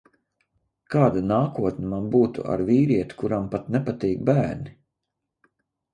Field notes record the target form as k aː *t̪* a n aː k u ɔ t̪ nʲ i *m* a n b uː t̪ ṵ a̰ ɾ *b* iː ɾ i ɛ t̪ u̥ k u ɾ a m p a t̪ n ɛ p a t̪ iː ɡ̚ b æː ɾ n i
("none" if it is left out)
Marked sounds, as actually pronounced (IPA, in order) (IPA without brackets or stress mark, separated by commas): d̪, m, v